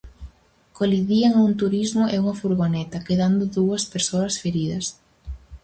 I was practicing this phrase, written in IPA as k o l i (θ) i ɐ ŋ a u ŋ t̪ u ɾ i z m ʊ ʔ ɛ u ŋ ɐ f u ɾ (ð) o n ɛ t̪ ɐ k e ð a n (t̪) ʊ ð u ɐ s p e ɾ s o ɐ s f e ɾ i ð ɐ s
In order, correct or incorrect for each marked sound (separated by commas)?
incorrect, incorrect, incorrect